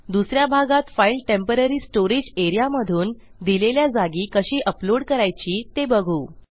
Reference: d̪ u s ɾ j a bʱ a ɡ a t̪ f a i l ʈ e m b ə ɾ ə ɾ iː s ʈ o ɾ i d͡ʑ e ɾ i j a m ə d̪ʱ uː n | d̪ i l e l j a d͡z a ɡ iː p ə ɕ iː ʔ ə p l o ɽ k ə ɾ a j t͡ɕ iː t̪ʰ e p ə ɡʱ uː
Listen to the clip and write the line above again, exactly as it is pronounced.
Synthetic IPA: d̪ u s ɾ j a bʱ a ɡ a t̪ f a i l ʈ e m p ə ɾ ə ɾ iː s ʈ o ɾ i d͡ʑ e ɾ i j a m ə d̪ʱ uː n | d̪ i l e l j a d͡z a ɡ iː k ə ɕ iː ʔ ə p l o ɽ k ə ɾ a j t͡ɕ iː t̪ e b ə ɡʱ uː